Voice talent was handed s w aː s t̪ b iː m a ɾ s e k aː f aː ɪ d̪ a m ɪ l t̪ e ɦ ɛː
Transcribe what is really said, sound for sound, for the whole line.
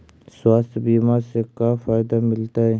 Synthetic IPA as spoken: s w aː s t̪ b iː m a ɾ s e k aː f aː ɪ d̪ a m ɪ l t̪ a ɦ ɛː